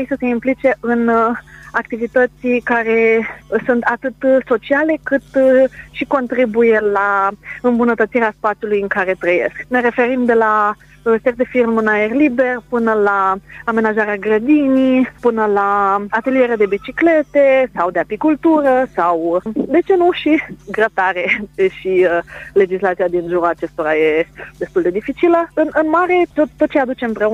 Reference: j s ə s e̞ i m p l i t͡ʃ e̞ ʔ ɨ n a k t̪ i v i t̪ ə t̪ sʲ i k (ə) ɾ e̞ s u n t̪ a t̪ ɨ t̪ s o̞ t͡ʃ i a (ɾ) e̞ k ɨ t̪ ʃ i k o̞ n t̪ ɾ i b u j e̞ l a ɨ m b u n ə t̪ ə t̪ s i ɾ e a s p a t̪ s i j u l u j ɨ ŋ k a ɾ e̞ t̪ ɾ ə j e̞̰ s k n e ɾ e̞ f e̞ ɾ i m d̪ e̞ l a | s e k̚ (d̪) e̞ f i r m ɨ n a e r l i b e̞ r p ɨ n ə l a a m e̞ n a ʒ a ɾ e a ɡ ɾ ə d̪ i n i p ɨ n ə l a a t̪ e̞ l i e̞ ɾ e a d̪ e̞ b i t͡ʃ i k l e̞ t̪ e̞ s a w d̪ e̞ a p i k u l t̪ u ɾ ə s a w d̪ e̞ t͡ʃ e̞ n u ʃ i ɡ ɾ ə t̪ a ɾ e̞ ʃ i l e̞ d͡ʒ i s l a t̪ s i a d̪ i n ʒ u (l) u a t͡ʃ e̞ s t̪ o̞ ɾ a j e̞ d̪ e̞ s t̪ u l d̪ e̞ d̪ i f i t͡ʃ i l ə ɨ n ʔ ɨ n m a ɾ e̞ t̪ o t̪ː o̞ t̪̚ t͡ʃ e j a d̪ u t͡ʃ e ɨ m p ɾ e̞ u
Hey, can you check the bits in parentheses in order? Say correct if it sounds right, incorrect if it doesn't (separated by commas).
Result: incorrect, incorrect, correct, incorrect